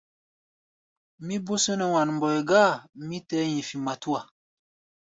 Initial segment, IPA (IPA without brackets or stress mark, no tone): m